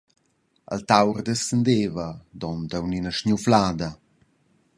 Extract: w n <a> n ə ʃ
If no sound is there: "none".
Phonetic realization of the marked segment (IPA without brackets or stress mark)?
i